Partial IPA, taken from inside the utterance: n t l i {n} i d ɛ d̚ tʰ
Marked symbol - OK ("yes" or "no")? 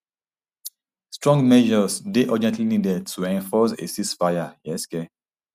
yes